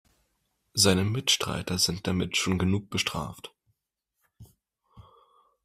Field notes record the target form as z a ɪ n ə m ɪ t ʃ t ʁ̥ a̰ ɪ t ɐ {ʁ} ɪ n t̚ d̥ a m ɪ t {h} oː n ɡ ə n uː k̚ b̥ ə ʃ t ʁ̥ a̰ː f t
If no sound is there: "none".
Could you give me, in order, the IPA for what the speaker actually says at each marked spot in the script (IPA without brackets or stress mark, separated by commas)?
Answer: z, ʃ